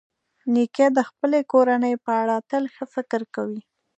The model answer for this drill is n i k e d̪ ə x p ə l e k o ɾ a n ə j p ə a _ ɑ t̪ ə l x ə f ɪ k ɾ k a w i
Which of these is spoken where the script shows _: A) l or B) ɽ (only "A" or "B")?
B